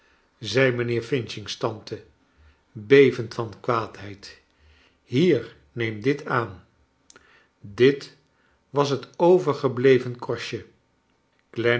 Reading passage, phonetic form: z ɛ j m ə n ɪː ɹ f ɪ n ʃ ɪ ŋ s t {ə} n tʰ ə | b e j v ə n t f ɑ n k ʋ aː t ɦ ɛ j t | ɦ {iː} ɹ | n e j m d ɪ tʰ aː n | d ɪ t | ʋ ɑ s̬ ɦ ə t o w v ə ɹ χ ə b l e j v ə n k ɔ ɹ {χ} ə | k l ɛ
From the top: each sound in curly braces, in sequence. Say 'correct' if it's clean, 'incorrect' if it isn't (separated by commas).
incorrect, correct, incorrect